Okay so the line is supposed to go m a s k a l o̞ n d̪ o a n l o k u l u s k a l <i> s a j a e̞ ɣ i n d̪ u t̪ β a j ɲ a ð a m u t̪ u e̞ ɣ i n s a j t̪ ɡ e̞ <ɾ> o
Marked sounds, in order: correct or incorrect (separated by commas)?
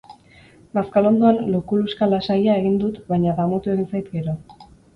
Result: incorrect, correct